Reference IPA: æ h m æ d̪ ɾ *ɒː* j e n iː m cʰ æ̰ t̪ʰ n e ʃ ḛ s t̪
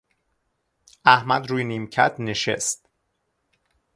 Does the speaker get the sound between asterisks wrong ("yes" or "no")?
yes